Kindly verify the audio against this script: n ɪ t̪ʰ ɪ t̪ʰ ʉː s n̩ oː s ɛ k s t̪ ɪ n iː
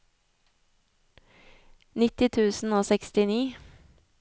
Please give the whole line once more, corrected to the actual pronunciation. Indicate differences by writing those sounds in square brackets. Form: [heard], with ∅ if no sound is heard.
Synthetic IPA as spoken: n ɪ [t̪] ɪ t̪ʰ ʉː s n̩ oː s ɛ k s t̪ ɪ n iː